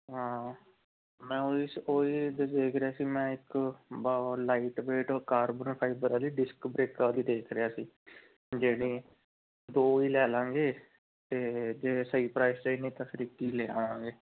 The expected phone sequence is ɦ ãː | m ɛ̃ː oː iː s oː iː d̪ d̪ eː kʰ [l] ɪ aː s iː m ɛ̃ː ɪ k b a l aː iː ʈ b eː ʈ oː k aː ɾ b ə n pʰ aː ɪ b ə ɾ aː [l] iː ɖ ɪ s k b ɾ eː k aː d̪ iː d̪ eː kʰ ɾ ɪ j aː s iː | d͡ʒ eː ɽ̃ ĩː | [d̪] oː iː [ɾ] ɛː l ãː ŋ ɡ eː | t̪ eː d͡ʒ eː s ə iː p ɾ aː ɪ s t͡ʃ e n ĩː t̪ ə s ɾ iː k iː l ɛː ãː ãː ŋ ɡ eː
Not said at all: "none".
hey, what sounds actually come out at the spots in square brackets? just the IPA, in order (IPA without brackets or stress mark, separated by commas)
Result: ɾ, l, d̪, l